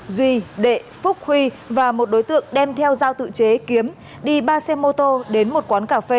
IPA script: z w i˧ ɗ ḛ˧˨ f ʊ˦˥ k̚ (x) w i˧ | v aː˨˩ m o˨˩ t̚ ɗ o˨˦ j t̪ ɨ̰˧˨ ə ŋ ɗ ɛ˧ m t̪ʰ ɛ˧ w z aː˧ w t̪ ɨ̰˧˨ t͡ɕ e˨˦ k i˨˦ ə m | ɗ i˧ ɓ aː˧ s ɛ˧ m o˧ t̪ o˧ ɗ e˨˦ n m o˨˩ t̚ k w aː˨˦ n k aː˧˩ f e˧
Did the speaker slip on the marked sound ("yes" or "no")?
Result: yes